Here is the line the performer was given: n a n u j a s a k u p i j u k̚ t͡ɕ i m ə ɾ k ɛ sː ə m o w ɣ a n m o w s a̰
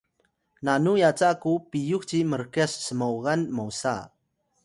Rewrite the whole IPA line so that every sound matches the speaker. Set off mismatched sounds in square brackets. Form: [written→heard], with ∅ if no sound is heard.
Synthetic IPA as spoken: n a n u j a [s→t͡s] a k u p i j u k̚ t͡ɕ i m ə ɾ k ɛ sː ə m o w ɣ a n m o w s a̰

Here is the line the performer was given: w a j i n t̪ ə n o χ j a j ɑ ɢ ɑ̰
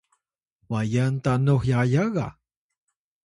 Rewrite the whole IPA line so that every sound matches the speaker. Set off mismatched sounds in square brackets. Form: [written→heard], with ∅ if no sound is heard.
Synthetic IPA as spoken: w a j [i→a] n t̪ [ə→a] n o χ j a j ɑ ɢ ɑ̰

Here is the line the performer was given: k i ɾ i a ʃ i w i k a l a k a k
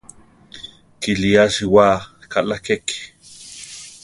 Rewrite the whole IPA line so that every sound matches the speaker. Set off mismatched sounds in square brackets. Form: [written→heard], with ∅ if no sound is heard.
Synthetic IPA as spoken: k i [ɾ→l] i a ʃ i w [i→a] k a l a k [a→e] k

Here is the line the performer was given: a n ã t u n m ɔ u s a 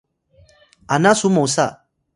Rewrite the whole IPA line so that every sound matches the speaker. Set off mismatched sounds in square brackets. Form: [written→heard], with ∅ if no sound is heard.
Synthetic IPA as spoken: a n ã [t→s] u [n→∅] m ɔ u s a

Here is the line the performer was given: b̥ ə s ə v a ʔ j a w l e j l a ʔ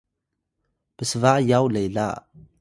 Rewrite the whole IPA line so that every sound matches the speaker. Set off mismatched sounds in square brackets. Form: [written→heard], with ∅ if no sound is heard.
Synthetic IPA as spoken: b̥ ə s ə v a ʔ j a w l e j l a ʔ

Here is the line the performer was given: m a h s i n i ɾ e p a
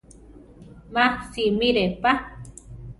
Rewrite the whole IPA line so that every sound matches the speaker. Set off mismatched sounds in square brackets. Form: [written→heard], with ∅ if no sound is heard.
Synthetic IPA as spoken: m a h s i [n→m] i ɾ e p a

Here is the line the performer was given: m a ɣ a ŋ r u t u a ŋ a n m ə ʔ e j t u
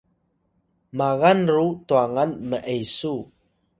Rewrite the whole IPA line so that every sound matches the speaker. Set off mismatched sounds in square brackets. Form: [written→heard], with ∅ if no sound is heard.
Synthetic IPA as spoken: m a ɣ a [ŋ→n] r u t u a ŋ a n m ə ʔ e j [t→s] u

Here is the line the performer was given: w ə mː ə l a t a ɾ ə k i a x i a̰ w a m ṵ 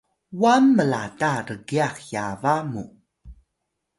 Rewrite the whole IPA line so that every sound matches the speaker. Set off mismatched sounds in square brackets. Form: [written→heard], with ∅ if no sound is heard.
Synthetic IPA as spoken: w [ə→a] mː ə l a t a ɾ ə [k→ɡ] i a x [i→j] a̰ [w→v] a m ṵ

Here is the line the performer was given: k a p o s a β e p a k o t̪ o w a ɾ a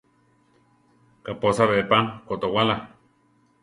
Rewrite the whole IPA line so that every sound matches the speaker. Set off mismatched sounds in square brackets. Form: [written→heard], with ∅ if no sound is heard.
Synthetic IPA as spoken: k a p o s a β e p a k o t̪ o w a [ɾ→l] a

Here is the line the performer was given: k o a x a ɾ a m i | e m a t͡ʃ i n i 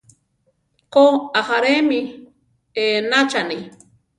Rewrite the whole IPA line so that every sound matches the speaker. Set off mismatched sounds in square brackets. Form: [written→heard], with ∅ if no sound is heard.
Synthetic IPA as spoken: k o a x a ɾ [a→e] m i | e [m→n] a t͡ʃ [i→a] n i

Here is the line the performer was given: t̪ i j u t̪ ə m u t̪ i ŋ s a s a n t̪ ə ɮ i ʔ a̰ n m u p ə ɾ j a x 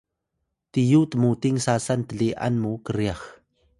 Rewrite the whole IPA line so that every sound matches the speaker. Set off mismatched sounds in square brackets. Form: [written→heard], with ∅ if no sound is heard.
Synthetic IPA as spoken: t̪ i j u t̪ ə m u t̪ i ŋ s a s a n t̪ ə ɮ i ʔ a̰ n m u [p→k] ə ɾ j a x

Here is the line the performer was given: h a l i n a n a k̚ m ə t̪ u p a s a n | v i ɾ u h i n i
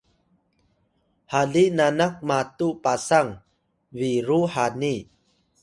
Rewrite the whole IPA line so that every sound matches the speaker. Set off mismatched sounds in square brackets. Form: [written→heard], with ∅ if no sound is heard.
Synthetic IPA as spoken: h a l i n a n a k̚ m [ə→a] t̪ u p a s a [n→ŋ] | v i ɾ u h [i→a] n i

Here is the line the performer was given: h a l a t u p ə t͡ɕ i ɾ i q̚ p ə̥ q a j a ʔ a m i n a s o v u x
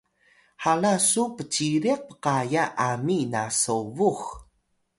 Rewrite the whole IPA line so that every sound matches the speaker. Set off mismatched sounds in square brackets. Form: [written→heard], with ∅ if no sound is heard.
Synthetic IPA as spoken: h a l a [t→s] u p ə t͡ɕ i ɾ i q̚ p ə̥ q a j a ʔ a m i n a s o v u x

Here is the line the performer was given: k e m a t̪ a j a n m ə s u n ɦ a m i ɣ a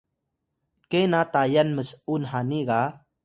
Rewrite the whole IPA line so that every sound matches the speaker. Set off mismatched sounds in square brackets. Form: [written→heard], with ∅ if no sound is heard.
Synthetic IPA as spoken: k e [m→n] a t̪ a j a n m ə s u n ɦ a [m→n] i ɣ a

